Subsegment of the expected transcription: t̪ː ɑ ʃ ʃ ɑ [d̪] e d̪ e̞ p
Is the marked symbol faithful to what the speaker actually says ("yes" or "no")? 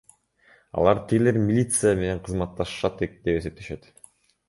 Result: no